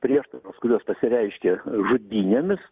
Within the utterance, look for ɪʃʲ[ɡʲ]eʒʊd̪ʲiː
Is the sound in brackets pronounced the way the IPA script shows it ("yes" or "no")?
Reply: no